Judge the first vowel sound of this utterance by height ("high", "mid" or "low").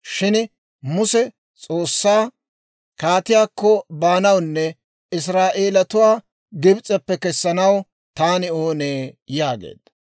high